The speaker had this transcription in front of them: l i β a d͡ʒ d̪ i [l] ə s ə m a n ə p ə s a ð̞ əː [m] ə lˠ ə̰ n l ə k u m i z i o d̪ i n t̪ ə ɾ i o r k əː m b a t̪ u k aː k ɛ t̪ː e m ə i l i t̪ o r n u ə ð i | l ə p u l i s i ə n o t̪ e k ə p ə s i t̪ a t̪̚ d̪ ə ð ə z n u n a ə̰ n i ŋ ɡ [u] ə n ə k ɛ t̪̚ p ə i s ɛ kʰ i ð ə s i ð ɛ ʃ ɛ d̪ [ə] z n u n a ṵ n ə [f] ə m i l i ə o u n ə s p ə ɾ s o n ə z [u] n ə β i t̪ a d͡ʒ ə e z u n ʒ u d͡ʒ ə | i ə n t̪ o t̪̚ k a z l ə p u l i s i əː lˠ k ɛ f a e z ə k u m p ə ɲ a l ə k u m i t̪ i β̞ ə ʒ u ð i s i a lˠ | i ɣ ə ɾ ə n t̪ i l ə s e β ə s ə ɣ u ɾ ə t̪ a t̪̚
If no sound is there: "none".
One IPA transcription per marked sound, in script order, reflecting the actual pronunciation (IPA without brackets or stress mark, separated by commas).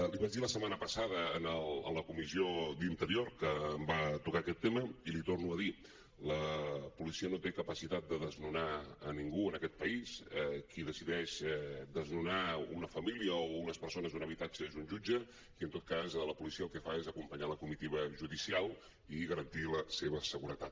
l, n, u, ə, f, u